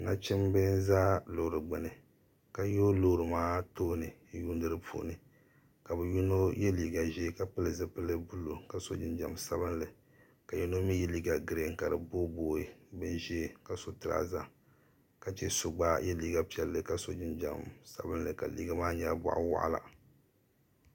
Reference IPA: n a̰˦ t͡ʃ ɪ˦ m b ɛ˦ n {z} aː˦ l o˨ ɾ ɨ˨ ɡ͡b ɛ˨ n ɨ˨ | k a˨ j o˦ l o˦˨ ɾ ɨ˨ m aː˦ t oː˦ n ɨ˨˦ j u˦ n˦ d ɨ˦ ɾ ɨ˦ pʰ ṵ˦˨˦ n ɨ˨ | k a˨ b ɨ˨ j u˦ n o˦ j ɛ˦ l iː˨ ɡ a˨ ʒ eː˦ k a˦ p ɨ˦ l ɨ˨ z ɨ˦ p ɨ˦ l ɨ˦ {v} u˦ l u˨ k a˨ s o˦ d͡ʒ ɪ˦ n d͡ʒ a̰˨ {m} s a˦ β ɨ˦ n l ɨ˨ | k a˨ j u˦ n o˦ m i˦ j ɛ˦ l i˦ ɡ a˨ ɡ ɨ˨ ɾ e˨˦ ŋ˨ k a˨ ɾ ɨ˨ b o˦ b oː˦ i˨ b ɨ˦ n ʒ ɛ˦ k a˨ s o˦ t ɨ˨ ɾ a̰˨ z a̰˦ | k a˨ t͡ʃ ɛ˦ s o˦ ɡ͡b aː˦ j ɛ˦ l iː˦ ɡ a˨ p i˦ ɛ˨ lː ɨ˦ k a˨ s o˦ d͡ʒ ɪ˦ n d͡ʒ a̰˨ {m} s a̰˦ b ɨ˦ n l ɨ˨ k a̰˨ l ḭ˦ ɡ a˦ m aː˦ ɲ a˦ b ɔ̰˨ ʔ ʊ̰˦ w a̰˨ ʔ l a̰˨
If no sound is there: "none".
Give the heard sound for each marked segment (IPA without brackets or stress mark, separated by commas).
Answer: z, b, m, m